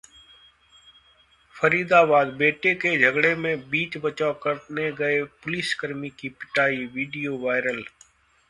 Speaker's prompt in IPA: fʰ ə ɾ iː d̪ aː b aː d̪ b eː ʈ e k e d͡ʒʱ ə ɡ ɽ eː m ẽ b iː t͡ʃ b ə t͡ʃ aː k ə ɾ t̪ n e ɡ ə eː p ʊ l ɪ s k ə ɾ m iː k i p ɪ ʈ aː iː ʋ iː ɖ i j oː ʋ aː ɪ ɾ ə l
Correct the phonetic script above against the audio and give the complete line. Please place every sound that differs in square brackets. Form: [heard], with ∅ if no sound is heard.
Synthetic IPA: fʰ ə ɾ iː d̪ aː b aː d̪ b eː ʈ e k e d͡ʒʱ ə ɡ ɽ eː m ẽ b iː t͡ʃ b ə t͡ʃ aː k ə ɾ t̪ n e ɡ ə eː p ʊ l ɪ s k ə ɾ m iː k i p ɪ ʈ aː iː ʋ iː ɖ i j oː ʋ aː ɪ ɾ ə l